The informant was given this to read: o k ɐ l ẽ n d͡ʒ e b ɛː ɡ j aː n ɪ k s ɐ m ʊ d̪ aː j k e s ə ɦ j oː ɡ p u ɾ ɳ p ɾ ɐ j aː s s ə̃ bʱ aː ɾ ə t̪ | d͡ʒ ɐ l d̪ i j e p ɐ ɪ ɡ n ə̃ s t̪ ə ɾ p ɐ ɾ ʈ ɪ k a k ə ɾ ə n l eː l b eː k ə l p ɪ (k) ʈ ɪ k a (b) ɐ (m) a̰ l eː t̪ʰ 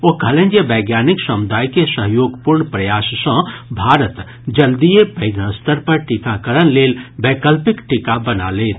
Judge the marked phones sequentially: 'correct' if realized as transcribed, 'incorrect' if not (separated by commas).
correct, correct, incorrect